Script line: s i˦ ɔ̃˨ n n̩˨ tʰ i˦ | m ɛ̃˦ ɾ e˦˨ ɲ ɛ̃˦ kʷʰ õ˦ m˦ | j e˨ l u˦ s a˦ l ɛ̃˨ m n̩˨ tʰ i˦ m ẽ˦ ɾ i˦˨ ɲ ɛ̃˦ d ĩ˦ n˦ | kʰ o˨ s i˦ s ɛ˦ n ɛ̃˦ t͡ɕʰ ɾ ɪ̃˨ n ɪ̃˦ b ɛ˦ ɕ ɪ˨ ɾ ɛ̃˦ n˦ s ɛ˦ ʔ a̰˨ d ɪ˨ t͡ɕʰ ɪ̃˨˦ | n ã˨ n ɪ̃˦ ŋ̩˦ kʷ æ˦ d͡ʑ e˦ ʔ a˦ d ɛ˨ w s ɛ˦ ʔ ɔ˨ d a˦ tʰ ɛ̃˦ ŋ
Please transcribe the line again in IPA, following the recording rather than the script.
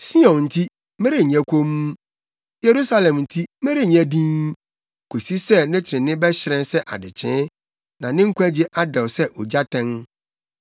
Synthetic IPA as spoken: s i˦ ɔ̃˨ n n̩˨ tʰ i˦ | m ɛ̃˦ ɾ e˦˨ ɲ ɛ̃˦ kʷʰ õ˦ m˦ | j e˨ ɾ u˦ s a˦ l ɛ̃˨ m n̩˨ tʰ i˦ m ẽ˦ ɾ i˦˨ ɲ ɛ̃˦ d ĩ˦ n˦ | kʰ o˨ s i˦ s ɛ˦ n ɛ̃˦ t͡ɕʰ ɾ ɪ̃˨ n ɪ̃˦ b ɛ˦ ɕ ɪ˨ ɾ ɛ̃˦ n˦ s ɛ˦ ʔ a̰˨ d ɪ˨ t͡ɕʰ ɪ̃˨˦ | n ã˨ n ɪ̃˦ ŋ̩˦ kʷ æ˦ d͡ʑ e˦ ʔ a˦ d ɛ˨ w s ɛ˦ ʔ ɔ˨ d͡ʑ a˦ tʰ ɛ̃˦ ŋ